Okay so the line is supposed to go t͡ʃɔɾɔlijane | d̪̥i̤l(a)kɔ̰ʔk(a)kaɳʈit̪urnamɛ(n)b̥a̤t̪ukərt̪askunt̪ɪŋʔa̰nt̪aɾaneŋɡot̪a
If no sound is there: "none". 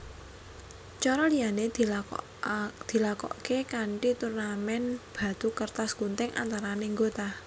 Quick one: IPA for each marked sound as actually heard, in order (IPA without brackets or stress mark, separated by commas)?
a, e, n